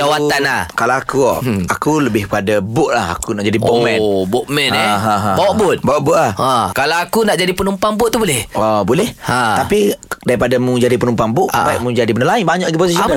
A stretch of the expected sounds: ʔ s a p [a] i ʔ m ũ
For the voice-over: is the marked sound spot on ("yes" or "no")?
yes